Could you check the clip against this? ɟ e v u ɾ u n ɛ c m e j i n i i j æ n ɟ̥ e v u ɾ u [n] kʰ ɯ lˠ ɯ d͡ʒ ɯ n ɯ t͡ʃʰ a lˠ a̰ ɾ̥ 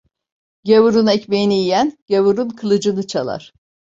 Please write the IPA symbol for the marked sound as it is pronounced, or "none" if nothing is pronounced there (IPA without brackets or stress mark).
n